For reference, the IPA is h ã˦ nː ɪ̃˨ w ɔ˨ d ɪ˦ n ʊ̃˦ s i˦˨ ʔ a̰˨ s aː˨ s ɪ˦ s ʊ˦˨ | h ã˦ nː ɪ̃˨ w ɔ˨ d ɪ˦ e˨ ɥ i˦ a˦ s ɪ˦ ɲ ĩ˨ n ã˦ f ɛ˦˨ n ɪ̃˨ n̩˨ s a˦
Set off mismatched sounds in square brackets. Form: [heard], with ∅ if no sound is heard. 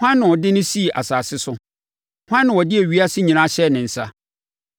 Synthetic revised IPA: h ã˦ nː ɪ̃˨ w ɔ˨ d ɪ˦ n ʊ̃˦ s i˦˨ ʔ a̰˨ s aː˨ s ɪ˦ s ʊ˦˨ | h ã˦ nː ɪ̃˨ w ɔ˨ d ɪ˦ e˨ ɥ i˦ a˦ s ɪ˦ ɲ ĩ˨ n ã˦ [ɕ] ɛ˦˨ n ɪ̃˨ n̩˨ s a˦

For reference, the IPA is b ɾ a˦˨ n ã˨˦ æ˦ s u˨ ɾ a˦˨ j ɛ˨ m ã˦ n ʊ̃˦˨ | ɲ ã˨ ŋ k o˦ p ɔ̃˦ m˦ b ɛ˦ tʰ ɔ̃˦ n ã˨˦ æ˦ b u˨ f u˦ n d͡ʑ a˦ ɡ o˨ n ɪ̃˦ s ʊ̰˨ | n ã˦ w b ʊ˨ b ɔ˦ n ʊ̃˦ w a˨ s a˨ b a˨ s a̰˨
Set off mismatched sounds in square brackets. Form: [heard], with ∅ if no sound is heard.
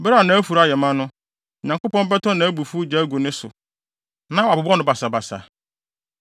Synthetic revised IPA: b ɾ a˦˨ n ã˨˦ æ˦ [f] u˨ ɾ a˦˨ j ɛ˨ m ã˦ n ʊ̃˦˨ | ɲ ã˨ ŋ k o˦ p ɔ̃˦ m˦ b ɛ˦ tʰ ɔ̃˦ n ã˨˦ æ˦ b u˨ f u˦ [∅] d͡ʑ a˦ ɡ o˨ n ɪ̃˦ s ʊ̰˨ | n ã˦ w b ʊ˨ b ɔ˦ n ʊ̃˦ [b] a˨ s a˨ b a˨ s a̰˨

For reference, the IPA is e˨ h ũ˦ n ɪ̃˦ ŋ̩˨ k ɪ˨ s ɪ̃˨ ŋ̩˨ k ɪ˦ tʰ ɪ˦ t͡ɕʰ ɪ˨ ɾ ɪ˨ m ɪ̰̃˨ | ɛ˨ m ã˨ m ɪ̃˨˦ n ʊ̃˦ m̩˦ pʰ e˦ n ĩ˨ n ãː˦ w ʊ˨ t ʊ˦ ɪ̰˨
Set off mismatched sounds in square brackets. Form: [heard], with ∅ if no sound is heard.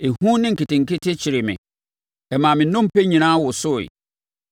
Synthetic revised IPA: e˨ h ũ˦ n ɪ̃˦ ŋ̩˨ k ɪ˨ [t] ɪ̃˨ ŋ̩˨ k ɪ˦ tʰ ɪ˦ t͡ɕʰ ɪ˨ ɾ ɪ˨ m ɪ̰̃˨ | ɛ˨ m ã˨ m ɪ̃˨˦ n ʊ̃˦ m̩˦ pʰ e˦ [ɲ] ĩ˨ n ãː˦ w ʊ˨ [s] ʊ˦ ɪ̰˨

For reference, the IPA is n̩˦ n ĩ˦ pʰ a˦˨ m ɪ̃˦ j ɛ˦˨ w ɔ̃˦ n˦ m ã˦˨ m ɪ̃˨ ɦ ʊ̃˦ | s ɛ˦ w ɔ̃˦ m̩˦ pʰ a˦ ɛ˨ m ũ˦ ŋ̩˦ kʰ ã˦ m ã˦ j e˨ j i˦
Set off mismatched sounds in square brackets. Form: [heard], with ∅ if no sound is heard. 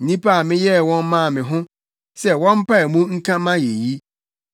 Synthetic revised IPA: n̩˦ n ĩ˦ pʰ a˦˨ m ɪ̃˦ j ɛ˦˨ w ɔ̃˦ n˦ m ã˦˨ m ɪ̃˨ ɦ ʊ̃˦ | s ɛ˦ w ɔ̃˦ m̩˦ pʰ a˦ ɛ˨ m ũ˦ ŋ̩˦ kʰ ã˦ m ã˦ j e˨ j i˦

